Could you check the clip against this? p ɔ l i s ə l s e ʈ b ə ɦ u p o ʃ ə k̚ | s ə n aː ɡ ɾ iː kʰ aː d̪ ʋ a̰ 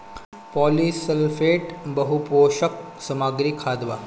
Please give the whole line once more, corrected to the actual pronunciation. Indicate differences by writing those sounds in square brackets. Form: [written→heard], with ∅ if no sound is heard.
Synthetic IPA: p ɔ l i s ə l [s→f] e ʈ b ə ɦ u p o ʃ ə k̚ | s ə [n→m] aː ɡ ɾ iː kʰ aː d̪ ʋ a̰